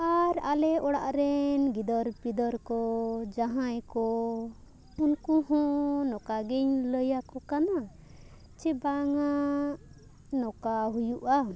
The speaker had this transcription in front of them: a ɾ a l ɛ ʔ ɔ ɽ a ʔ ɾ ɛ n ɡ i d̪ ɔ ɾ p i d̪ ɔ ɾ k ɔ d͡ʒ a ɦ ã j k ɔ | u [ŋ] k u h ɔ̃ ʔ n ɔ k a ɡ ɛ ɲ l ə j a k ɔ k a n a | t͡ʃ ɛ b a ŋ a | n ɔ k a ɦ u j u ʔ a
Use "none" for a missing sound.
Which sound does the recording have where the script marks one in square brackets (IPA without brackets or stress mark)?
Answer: n